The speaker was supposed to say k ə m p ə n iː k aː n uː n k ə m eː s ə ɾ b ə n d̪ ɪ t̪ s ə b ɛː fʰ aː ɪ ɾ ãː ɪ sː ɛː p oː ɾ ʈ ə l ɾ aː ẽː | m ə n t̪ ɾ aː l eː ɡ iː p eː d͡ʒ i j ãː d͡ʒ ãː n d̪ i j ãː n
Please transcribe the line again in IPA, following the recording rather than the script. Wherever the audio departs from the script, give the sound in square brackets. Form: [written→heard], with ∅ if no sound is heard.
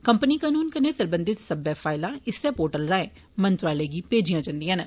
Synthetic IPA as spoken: k ə m p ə n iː k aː n uː n k ə [m→n] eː s ə ɾ b ə n d̪ ɪ t̪ s ə b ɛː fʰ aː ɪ [ɾ→l] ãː ɪ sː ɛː p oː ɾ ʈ ə l ɾ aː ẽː | m ə n t̪ ɾ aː l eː ɡ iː p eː d͡ʒ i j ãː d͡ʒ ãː n d̪ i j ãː n